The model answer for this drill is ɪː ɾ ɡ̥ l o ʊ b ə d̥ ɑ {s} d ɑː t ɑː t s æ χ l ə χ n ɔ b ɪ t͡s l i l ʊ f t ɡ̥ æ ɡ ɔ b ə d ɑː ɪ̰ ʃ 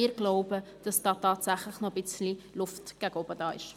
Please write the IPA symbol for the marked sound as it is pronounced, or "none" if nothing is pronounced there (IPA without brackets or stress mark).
s